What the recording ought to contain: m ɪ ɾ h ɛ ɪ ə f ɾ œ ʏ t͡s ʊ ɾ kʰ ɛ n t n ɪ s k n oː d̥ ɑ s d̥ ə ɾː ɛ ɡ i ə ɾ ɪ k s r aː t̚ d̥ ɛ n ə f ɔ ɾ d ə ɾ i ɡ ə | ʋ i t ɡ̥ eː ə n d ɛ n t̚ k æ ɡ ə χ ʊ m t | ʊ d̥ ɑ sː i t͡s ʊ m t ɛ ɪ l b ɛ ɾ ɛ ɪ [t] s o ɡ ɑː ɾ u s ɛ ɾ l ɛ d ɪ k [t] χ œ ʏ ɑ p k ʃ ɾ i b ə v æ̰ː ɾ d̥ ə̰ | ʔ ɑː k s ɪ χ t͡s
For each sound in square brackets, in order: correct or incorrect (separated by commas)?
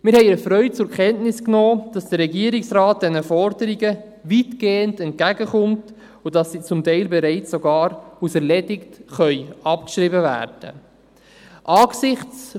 incorrect, correct